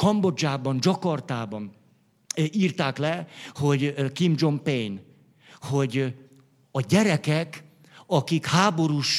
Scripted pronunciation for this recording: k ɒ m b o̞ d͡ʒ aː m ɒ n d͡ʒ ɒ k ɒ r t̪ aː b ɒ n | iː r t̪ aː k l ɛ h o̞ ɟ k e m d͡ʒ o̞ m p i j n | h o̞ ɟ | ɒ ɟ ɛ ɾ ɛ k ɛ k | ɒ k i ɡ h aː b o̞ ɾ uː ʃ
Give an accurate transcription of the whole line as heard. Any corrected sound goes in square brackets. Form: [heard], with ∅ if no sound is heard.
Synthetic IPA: k ɒ m b o̞ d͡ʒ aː [b] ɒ n d͡ʒ ɒ k ɒ r t̪ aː b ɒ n | iː r t̪ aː k l ɛ h o̞ ɟ k [i] m d͡ʒ o̞ m p [e] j n | h o̞ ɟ | ɒ ɟ ɛ ɾ ɛ k ɛ k | ɒ k i [k] h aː b o̞ ɾ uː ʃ